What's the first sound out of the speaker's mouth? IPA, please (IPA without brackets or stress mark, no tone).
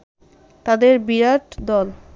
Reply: t̪